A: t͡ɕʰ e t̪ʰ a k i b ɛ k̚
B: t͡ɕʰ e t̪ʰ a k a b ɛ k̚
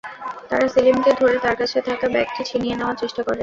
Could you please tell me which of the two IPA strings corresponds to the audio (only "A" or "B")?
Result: B